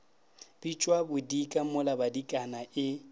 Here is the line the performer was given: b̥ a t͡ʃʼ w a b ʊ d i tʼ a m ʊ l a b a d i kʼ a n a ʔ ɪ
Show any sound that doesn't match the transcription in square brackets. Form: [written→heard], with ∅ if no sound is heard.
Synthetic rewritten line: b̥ [a→i] t͡ʃʼ w a b ʊ d i [tʼ→kʼ] a m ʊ l a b a d i kʼ a n a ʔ ɪ

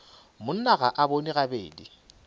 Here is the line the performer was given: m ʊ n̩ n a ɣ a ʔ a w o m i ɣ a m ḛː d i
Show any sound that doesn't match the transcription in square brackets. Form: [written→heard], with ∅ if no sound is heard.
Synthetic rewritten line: m ʊ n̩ n a ɣ a ʔ a [w→b] o [m→n] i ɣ a [m→b] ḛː d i

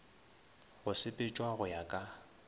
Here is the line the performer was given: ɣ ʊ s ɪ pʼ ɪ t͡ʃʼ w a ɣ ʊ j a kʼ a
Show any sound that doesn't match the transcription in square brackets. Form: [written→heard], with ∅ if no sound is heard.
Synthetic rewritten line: ɣ ʊ s ɪ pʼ ɪ t͡ʃʼ w a ɣ ʊ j a kʼ a

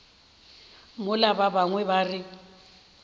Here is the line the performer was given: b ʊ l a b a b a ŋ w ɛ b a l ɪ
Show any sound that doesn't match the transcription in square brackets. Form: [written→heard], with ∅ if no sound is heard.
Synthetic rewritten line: [b→m] ʊ l a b a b a ŋ w ɛ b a [l→r] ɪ

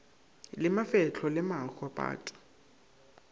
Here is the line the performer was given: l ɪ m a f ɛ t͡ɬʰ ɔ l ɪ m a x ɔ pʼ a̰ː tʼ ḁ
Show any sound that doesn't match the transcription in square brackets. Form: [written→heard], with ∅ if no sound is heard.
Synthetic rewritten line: l ɪ m a f ɛ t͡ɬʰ ɔ l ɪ m a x ɔ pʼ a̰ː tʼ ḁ

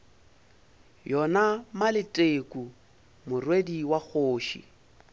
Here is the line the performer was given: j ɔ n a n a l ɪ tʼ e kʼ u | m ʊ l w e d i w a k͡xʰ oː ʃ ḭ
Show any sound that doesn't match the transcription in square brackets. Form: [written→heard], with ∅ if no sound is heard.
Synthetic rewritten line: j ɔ n a [n→m] a l ɪ tʼ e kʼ u | m ʊ [l→r] w e d i w a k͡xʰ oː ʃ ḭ

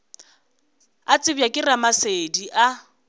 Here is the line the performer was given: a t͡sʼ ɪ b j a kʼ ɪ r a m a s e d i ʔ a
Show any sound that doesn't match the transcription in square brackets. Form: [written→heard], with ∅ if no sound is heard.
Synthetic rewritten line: a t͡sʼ ɪ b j a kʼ ɪ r a m a s e d i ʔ a

